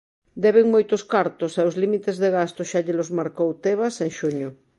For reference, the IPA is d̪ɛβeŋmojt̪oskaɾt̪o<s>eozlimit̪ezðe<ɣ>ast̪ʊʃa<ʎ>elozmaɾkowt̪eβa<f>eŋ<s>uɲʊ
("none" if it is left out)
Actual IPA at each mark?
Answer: s, ɣ, ʎ, s, ʃ

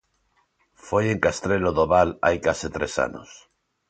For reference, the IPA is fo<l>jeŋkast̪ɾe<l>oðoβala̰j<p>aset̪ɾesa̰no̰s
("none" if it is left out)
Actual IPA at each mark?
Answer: none, l, k

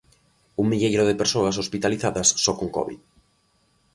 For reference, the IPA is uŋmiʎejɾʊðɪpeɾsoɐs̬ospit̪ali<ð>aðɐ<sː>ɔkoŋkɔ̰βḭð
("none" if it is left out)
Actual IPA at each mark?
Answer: θ, sː

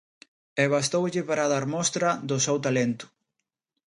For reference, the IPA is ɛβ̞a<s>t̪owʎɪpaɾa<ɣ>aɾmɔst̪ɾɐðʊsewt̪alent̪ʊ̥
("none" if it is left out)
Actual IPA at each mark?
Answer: s, ð

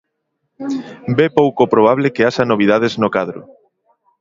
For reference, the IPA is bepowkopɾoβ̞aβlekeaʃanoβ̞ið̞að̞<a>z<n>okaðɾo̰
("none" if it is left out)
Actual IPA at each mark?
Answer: e, n

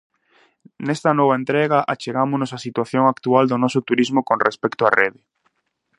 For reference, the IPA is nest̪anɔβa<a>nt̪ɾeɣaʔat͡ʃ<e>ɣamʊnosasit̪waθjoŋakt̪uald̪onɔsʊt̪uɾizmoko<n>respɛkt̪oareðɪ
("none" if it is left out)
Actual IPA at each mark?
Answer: e, e, n

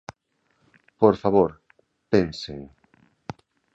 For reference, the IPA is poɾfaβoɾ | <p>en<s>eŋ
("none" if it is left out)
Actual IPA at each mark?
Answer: p, s

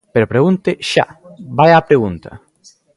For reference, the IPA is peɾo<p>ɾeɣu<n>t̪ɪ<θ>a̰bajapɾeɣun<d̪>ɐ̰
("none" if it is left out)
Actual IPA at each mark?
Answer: p, n, ʃ, t̪

